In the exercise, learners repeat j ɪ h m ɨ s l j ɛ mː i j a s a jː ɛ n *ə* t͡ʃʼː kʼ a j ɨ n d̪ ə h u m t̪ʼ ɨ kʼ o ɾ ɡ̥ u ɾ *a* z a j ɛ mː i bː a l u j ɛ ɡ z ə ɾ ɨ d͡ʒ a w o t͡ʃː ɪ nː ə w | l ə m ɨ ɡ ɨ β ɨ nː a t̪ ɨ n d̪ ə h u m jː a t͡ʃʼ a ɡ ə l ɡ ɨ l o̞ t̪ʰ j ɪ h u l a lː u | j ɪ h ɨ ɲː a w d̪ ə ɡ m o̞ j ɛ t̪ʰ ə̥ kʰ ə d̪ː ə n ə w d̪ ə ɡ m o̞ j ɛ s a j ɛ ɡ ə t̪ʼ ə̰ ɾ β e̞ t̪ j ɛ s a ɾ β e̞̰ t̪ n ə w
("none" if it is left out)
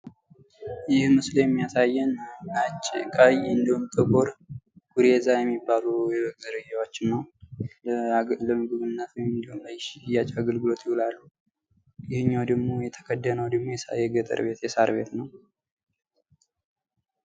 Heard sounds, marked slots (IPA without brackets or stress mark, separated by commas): a, e